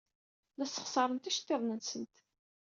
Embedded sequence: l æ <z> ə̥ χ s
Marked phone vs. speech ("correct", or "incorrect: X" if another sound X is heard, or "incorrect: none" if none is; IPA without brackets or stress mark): incorrect: s